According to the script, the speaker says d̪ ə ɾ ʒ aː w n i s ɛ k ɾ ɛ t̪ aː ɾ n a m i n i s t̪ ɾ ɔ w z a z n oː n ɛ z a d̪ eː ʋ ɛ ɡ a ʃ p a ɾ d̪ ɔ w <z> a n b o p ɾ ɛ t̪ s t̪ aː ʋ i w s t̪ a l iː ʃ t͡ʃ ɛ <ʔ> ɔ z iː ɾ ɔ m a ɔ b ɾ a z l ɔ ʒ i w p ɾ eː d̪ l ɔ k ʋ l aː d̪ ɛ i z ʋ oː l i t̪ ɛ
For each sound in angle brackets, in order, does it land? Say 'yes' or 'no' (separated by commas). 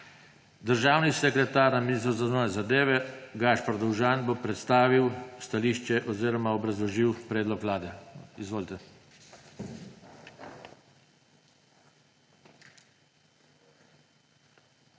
no, yes